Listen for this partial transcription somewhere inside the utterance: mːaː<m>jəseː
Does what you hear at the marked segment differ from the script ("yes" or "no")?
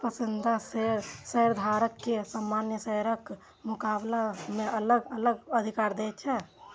yes